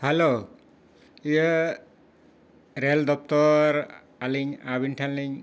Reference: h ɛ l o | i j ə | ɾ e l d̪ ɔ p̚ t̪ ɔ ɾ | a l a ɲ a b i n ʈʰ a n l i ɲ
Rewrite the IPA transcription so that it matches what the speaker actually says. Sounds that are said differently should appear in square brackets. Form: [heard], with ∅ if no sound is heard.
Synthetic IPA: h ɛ l o | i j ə | ɾ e l d̪ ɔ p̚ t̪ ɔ ɾ | a l [i] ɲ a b i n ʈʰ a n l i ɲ